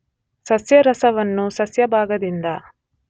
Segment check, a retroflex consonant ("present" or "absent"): absent